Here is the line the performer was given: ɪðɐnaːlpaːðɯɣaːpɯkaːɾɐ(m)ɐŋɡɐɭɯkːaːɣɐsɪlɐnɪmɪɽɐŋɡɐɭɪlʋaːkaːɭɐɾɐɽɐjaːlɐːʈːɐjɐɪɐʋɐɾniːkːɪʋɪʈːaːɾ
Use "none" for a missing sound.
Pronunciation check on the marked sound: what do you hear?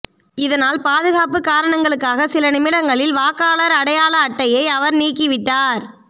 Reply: ɳ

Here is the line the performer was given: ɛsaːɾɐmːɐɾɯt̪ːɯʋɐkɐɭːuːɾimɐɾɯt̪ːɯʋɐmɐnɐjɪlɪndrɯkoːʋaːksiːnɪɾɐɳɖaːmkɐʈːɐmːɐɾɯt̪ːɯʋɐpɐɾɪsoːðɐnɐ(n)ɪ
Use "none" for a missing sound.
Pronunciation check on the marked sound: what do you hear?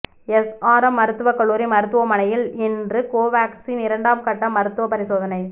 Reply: none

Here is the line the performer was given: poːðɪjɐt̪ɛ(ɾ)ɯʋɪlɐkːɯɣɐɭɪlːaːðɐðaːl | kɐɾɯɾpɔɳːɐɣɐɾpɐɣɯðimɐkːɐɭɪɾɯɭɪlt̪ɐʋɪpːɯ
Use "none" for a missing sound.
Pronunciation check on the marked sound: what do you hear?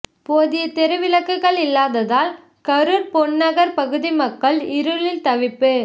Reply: ɾ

